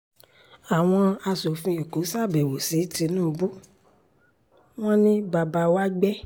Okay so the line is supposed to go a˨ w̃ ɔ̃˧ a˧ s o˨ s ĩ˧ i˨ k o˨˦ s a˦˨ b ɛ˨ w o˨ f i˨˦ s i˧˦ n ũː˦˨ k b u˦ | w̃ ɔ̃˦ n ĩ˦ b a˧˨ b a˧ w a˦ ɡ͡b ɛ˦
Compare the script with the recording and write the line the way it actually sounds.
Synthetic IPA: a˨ w̃ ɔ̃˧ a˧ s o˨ f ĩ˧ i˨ k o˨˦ s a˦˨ b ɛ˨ w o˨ s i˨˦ t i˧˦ n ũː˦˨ b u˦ | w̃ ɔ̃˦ n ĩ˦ b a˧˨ b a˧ w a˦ ɡ͡b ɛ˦